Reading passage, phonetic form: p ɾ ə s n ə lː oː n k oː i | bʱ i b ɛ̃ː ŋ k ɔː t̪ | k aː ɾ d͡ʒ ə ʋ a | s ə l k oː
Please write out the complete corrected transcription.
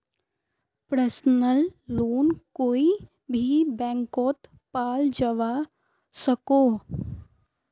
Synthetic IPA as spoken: p ɾ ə s n ə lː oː n k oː i | bʱ i b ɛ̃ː ŋ k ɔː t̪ | p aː l d͡ʒ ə ʋ a | s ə k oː